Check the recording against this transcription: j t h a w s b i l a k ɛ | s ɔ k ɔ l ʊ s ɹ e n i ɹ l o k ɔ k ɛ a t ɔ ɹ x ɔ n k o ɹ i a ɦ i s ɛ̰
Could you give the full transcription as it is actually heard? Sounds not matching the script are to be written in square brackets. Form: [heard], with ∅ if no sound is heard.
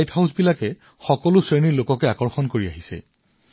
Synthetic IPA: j t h a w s b i l a k ɛ | [x] ɔ k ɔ l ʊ s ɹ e n i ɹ l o k ɔ k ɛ a [k] ɔ ɹ x ɔ n k o ɹ i a ɦ i s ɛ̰